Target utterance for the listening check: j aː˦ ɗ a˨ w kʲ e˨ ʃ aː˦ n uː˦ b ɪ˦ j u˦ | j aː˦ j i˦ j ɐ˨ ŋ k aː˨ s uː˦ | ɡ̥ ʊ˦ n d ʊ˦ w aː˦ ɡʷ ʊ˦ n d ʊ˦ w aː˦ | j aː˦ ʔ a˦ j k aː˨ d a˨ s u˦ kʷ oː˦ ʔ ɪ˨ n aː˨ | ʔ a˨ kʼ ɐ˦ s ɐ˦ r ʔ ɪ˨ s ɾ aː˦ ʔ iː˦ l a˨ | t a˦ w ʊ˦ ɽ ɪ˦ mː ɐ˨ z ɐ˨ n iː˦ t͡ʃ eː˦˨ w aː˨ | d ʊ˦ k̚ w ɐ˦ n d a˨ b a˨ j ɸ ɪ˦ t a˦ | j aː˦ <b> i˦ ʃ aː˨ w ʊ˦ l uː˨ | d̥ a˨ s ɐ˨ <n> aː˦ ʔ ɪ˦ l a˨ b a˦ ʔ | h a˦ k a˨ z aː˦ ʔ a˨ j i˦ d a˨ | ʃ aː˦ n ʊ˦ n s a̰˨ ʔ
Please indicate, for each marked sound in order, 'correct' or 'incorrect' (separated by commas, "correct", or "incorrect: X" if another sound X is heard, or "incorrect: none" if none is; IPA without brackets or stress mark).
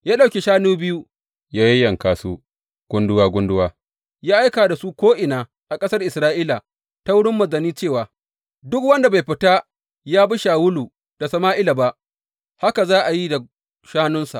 correct, incorrect: m